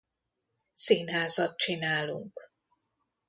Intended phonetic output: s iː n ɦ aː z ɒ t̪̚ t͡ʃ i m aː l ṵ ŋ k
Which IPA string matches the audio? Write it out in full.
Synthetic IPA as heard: s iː n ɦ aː z ɒ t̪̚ t͡ʃ i n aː l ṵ ŋ k

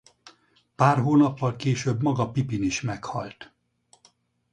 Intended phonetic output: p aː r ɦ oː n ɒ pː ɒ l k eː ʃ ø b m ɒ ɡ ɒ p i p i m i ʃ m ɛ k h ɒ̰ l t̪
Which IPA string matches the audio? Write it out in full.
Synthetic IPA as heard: p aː r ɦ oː n ɒ pː ɒ l k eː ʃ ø b m ɒ ɡ ɒ p i p i n i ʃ m ɛ k h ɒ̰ l t̪

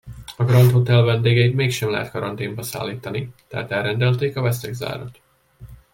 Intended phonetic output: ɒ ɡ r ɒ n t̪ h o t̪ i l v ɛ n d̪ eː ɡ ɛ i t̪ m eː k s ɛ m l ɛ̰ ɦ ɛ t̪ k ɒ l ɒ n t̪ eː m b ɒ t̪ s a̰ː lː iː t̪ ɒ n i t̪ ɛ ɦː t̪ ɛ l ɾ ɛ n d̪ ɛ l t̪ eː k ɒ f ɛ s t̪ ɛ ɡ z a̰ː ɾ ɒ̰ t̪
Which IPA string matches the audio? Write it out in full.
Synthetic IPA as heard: ɒ ɡ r ɒ n t̪ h o t̪ ɛ l v ɛ n d̪ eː ɡ ɛ i t̪ m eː k ʃ ɛ m l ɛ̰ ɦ ɛ t̪ k ɒ ɾ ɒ n t̪ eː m b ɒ s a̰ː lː iː t̪ ɒ n i t̪ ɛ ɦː t̪ ɛ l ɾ ɛ n d̪ ɛ l t̪ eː k ɒ v ɛ s t̪ ɛ ɡ z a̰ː ɾ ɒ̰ t̪

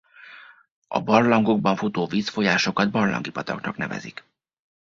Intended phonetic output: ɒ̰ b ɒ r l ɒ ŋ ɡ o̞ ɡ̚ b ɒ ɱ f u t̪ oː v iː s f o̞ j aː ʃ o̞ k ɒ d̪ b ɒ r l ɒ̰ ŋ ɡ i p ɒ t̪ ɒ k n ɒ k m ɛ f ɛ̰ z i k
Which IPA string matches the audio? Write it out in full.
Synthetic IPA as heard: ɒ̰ b ɒ r l ɒ ŋ ɡ o̞ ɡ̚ b ɒ ɱ f u t̪ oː v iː s f o̞ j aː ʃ o̞ k ɒ d̪ b ɒ r l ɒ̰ ŋ ɡ i p ɒ t̪ ɒ k n ɒ k n ɛ v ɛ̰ z i k

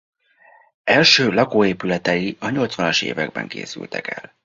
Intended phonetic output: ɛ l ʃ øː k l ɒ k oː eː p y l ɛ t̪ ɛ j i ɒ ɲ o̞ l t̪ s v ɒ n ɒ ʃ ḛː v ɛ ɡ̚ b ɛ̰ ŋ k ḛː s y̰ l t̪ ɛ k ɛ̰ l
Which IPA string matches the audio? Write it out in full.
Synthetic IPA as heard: ɛ l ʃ øː l ɒ k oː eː p y l ɛ t̪ ɛ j i ɒ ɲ o̞ l t̪ s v ɒ n ɒ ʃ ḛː v ɛ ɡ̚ b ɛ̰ ŋ k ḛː s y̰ l t̪ ɛ k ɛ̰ l

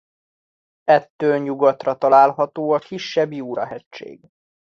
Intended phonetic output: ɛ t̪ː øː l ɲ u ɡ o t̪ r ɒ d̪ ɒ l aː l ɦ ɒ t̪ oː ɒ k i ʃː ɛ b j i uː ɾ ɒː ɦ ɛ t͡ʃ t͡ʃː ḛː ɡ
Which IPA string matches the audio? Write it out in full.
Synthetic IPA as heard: ɛ t̪ː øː l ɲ u ɡ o t̪ r ɒ t̪ ɒ l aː l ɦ ɒ t̪ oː ɒ k i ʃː ɛ b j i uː ɾ ɒ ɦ ɛ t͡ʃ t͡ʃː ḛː ɡ

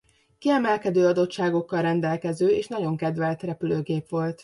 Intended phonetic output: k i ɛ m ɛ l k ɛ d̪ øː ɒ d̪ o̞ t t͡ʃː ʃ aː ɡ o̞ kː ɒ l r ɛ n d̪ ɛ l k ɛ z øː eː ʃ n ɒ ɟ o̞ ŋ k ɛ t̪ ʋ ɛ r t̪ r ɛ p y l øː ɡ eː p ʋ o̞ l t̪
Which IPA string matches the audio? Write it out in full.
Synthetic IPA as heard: k i ɛ m ɛ l k ɛ d̪ øː ɒ d̪ o̞ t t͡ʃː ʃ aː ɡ o̞ kː ɒ l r ɛ n d̪ ɛ l k ɛ z øː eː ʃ n ɒ ɟ o̞ ŋ k ɛ d̪ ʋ ɛ l t̪ r ɛ p y l øː ɡ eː p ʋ o̞ l t̪

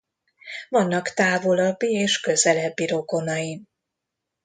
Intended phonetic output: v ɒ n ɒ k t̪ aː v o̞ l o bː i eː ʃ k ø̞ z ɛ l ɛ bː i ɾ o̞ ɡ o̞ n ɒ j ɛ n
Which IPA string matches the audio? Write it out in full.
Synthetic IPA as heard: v ɒ nː ɒ k t̪ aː v o̞ l ɒ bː i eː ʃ k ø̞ z ɛ l ɛ bː i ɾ o̞ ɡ o̞ n ɒ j i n

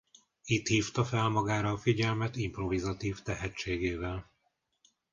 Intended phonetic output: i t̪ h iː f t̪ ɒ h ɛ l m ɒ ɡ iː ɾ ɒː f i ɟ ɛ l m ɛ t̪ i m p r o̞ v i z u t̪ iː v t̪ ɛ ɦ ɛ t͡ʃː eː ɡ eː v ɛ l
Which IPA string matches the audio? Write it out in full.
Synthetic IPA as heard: i t̪ h iː f t̪ ɒ f ɛ l m ɒ ɡ aː ɾ ɒː f i ɟ ɛ l m ɛ t̪ i m p r o̞ v i z ɒ t̪ iː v t̪ ɛ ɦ ɛ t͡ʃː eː ɡ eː v ɛ l

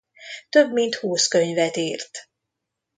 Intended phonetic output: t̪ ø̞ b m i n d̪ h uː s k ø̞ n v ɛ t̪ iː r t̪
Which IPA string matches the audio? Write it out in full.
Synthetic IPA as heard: t̪ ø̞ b m i n t̪ h uː s k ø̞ ɲ v ɛ t̪ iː r t̪

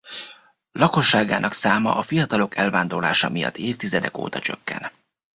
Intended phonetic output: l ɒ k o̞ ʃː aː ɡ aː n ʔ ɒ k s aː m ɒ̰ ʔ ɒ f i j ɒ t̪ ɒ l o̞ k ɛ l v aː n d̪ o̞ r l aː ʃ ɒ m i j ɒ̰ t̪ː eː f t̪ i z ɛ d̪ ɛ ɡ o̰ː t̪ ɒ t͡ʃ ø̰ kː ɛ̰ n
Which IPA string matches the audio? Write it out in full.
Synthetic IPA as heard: l ɒ k o̞ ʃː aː ɡ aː n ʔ ɒ k s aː m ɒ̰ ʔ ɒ f i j ɒ t̪ ɒ l o̞ k ɛ l v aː n d̪ o̞ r l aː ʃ ɒ m i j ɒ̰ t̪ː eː f t̪ i z ɛ d̪ ɛ k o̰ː t̪ ɒ t͡ʃ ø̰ kː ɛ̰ n

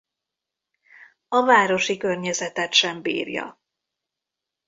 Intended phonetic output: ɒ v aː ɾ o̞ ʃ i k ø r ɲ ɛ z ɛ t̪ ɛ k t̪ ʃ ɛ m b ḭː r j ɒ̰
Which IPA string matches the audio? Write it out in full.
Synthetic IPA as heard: ɒ v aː ɾ o̞ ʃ i k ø r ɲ ɛ z ɛ t̪ ɛ t̪ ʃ ɛ m b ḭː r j ɒ̰

